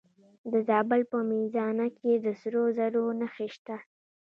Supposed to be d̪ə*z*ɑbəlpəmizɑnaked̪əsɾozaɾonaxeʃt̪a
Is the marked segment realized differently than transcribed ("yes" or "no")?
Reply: no